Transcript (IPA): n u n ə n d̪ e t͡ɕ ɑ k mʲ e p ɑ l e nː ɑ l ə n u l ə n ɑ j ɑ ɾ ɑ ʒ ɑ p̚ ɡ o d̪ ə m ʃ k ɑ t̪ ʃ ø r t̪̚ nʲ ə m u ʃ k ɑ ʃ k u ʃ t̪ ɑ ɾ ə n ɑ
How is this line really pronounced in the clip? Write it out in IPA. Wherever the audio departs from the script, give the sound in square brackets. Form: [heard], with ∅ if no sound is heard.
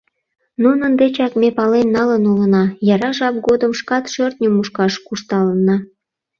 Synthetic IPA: n u n ə n d̪ e t͡ɕ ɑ k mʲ e p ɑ l e nː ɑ l ə n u l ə n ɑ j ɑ ɾ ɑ ʒ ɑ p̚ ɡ o d̪ ə m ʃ k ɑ t̪ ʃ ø r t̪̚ nʲ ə m u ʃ k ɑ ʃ k u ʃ t̪ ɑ [l] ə n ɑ